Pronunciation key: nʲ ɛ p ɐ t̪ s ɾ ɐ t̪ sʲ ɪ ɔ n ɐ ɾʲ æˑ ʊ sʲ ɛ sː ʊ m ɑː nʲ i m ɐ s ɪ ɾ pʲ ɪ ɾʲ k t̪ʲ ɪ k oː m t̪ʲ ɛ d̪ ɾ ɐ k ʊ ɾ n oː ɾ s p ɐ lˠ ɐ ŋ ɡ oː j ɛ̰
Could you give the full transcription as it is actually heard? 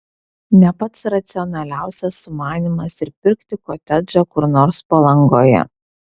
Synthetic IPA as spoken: nʲ ɛ p ɐ t̪ s ɾ ɐ t̪ sʲ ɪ ɔ n ɐ lʲ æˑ ʊ sʲ ɛ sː ʊ m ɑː nʲ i m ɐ s ɪ ɾ pʲ ɪ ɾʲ k t̪ʲ ɪ k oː t̪ʲ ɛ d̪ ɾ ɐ k ʊ ɾ n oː ɾ s p ɐ lˠ ɐ ŋ ɡ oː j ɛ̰